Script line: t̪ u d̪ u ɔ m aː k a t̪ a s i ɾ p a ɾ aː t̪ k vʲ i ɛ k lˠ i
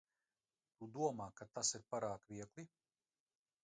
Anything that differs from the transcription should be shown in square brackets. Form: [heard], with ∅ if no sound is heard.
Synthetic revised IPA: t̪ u d̪ u ɔ m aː k a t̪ a s i ɾ p a ɾ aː [∅] k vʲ i ɛ k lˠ i